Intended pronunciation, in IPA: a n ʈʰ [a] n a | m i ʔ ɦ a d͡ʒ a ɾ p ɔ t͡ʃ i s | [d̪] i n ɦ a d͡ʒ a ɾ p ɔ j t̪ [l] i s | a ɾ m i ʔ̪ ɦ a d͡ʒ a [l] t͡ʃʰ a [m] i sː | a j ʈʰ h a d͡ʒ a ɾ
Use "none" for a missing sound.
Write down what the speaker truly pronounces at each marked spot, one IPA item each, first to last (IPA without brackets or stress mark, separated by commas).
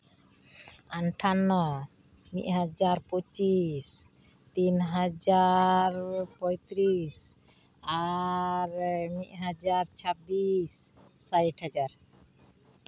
a, t̪, ɾ, ɾ, b